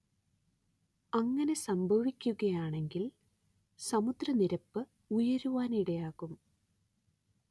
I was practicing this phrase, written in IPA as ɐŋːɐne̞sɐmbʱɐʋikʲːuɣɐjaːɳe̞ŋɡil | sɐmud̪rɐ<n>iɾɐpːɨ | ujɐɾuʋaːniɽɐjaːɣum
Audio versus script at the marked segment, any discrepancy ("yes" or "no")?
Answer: no